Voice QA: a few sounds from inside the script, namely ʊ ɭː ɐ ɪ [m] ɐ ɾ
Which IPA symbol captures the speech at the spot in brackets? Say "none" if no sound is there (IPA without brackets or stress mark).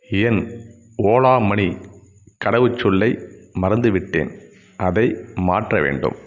m